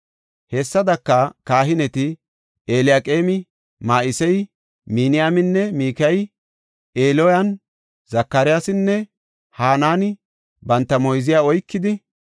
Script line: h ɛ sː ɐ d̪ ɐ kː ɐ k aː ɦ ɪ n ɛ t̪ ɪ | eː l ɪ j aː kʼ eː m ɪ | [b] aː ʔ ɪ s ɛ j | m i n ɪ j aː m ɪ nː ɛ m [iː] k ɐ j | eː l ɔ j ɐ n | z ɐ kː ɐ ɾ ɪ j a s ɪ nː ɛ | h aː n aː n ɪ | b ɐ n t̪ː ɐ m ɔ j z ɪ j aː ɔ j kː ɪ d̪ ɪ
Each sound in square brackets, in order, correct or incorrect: incorrect, correct

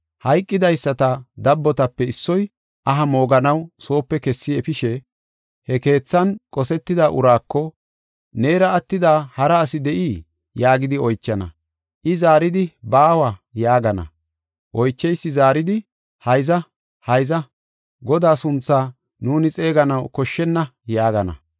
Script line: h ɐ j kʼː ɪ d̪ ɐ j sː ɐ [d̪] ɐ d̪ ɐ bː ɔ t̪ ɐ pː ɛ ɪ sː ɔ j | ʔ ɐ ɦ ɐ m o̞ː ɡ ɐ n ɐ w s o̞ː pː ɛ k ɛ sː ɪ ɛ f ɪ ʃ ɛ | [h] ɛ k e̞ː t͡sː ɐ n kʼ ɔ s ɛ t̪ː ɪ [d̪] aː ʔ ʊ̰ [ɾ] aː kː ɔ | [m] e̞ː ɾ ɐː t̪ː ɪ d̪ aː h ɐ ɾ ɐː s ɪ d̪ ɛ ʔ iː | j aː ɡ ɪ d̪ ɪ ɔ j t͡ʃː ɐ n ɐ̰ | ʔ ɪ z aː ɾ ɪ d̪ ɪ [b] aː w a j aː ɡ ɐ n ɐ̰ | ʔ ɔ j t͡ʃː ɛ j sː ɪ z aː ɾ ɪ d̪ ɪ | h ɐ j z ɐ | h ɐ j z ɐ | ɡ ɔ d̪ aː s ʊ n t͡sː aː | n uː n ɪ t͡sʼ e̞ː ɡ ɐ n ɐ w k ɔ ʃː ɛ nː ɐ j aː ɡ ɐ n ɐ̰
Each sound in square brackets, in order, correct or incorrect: incorrect, correct, correct, correct, incorrect, correct

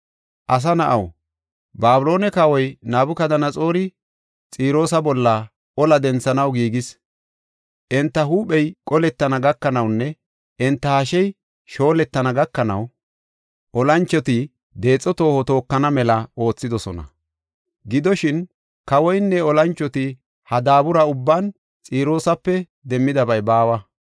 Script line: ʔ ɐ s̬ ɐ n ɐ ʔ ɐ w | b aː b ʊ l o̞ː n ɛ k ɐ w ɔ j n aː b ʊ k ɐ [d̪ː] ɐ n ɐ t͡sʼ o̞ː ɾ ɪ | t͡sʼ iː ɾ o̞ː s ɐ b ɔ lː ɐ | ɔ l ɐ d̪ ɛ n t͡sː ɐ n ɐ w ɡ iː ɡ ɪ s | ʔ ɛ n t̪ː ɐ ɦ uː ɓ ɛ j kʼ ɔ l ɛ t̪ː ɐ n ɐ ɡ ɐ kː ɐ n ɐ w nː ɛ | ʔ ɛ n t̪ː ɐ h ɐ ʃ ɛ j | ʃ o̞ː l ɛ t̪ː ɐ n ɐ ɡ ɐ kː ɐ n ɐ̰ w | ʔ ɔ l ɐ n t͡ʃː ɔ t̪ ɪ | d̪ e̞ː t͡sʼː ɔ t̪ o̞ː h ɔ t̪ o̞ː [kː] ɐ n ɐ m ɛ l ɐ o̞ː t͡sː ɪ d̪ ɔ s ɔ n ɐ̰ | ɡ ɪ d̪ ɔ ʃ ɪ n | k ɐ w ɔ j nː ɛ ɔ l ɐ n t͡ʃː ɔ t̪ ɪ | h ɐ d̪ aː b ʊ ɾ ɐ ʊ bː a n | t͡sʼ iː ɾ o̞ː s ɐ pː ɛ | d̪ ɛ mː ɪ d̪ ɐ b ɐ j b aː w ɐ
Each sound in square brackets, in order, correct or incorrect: incorrect, correct

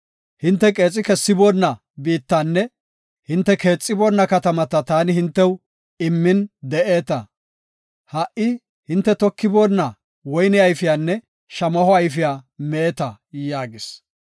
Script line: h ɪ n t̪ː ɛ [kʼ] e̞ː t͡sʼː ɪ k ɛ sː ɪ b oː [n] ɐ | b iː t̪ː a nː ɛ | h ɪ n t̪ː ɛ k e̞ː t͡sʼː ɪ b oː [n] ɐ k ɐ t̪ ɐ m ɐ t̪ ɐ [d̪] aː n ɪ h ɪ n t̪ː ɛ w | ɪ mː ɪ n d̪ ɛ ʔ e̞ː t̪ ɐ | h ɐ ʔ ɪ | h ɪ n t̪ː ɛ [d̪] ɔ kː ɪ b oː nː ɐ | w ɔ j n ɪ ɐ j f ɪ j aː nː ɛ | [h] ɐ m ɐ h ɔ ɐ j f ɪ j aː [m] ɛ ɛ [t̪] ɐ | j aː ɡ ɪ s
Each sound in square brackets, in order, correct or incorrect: correct, incorrect, incorrect, incorrect, incorrect, incorrect, correct, correct

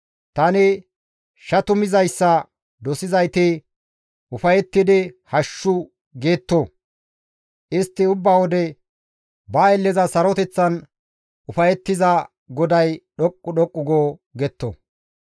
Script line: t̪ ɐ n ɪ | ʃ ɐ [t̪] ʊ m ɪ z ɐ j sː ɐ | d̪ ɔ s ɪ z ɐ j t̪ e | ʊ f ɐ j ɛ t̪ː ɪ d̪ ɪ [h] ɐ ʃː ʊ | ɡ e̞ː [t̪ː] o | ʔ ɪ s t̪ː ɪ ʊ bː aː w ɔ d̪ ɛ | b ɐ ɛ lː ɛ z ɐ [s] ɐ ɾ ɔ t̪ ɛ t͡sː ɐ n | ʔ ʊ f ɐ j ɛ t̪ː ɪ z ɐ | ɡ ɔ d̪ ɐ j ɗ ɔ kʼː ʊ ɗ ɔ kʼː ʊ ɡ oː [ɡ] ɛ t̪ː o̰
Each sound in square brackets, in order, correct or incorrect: correct, correct, correct, correct, correct

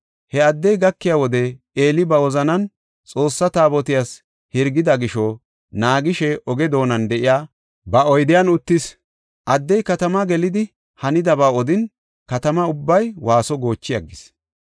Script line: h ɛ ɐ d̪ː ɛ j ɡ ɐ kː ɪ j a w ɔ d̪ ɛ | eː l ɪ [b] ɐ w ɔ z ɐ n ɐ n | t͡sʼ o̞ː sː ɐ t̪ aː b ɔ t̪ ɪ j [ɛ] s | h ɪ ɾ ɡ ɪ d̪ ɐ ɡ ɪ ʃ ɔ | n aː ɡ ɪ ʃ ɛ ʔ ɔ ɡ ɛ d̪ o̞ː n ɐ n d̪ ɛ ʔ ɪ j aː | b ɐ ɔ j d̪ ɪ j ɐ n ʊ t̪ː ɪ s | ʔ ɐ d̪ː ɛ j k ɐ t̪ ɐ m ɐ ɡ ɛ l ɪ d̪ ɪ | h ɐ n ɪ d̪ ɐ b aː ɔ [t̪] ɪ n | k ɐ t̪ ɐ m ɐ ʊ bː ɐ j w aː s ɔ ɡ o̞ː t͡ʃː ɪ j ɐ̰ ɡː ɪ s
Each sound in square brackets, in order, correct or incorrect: correct, incorrect, incorrect

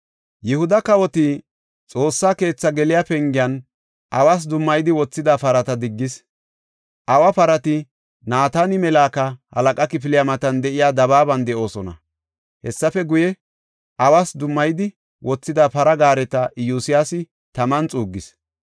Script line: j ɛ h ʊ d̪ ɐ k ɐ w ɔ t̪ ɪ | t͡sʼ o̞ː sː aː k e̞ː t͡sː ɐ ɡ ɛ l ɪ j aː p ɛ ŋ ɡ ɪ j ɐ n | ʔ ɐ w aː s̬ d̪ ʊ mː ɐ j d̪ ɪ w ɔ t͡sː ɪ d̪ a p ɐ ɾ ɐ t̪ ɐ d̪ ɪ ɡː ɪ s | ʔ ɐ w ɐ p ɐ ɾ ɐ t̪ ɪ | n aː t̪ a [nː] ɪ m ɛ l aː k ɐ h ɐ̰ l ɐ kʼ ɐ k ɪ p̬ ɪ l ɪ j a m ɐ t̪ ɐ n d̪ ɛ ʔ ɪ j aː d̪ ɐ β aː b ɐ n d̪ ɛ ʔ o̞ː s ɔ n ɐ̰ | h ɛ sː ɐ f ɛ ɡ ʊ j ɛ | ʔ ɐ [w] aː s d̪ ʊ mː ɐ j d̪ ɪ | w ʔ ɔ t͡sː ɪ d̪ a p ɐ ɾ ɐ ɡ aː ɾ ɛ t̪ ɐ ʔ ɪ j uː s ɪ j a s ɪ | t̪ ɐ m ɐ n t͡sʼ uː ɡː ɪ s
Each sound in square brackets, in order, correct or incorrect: incorrect, correct

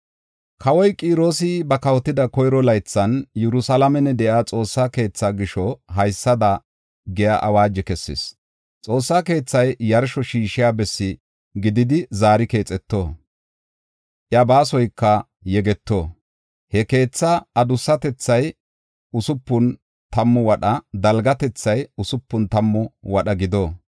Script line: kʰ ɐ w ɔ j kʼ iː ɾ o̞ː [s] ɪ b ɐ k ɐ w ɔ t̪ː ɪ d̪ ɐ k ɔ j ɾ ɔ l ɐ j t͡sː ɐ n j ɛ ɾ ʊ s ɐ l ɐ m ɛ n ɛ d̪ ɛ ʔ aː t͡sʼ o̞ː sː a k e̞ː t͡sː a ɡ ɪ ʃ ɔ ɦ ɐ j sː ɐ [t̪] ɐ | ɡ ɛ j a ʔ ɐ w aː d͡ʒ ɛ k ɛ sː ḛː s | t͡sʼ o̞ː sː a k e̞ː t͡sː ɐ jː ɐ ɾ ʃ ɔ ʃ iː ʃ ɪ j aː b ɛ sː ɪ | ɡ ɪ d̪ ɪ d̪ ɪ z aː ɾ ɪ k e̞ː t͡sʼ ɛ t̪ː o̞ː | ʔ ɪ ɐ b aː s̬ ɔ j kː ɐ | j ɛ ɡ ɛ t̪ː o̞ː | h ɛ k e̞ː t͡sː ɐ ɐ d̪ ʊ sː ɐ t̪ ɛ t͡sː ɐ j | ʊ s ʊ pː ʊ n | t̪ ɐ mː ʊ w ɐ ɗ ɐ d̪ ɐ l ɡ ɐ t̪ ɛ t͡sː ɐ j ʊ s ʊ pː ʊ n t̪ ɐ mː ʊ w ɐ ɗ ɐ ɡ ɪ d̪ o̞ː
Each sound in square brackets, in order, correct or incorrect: correct, incorrect

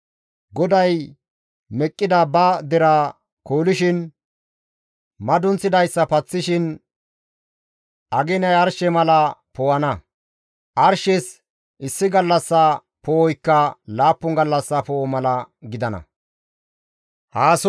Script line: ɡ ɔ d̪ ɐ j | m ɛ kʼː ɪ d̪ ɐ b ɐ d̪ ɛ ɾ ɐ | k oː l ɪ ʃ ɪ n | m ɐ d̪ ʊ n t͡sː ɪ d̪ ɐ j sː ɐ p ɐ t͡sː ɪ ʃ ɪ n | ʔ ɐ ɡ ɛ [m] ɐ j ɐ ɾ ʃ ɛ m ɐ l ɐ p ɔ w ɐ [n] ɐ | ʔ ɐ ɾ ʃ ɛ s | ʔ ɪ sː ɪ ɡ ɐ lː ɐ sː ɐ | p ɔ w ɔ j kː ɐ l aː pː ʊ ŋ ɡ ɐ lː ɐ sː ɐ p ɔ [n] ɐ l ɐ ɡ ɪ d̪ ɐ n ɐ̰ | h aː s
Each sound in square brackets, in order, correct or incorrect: incorrect, correct, incorrect

